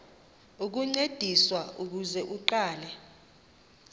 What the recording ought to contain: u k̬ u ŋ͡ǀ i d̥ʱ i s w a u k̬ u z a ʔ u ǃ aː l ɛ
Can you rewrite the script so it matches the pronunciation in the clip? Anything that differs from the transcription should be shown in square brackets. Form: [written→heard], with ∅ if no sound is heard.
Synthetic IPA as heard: u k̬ u ŋ͡ǀ [i→e] d̥ʱ i s w a u k̬ u z [a→ɛ] ʔ u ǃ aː l ɛ